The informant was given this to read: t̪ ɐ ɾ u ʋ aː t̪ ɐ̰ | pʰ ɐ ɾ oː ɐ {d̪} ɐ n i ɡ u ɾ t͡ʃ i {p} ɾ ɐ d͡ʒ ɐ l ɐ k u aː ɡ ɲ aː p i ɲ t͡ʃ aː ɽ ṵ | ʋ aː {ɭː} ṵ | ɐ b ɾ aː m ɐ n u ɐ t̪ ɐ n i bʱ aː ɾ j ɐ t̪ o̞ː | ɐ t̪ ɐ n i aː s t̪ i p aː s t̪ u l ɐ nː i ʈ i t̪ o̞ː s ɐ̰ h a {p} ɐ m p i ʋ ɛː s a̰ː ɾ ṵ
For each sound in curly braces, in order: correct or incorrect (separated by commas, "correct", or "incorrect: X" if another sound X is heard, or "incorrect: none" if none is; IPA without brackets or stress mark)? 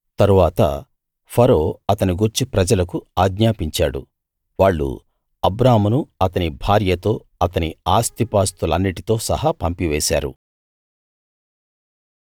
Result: incorrect: t̪, correct, correct, correct